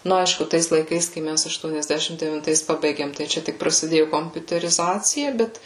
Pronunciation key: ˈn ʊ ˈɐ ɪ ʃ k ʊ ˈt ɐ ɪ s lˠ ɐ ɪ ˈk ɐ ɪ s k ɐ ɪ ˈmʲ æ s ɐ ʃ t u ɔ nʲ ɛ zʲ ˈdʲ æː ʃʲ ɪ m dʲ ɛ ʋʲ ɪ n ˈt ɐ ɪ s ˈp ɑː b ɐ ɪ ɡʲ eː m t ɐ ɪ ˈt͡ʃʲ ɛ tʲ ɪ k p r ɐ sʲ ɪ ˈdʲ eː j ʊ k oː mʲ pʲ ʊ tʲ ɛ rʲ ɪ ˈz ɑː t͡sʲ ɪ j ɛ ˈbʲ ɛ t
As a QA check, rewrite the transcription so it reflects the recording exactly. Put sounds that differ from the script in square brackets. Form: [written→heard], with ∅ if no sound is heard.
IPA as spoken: ˈn ʊ ˈɐ ɪ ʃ k ʊ ˈt ɐ ɪ s lˠ ɐ ɪ ˈk ɐ ɪ s k ɐ ɪ ˈmʲ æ s ɐ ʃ t u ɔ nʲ ɛ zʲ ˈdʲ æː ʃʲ ɪ m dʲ ɛ ʋʲ ɪ n ˈt ɐ ɪ s ˈp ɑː b ɐ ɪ ɡʲ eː m t ɐ ɪ ˈt͡ʃʲ ɛ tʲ ɪ k p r ɐ sʲ ɪ ˈdʲ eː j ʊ k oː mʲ pʲ ʊ tʲ ɛ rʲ ɪ ˈz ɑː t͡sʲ ɪ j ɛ ˈbʲ ɛ t